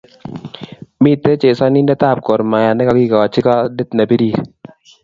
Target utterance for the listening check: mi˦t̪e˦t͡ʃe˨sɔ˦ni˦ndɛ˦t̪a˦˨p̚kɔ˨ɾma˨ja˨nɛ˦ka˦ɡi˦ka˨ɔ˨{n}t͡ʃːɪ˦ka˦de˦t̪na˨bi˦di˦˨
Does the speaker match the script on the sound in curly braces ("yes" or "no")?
no